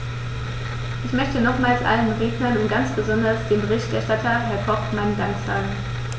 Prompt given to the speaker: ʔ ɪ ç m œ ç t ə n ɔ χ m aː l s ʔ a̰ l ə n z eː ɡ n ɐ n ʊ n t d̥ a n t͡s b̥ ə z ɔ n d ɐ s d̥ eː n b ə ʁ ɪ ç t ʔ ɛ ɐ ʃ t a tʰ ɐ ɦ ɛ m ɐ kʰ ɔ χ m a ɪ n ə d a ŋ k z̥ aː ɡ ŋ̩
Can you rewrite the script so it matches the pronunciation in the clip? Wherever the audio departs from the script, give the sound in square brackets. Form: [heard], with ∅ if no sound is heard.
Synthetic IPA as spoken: ʔ ɪ ç m œ ç t ə n ɔ χ m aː l s ʔ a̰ l ə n [ʁ] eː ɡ n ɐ n ʊ n t [ɡ̥] a n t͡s b̥ ə z ɔ n d ɐ s d̥ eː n b ə ʁ ɪ ç t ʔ ɛ ɐ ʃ t a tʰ ɐ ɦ ɛ [∅] ɐ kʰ ɔ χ m a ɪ n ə d a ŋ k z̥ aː ɡ ŋ̩